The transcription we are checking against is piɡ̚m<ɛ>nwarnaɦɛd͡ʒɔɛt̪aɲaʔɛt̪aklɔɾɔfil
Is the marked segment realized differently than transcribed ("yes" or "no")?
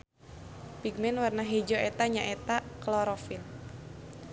no